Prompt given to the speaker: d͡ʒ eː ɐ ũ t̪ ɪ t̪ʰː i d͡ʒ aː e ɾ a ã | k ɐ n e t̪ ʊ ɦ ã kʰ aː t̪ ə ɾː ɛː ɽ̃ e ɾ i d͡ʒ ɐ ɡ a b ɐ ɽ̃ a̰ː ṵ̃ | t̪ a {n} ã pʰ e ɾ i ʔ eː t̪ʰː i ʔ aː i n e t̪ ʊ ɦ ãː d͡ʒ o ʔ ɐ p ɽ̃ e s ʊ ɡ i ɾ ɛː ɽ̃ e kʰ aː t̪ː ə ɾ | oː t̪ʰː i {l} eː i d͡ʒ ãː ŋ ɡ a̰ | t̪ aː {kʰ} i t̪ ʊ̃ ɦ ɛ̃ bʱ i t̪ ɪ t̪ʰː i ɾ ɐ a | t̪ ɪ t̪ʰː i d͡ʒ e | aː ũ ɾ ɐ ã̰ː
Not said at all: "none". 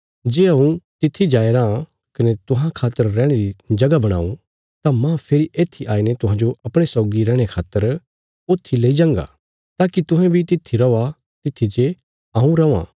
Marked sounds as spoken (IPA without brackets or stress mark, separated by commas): m, l, k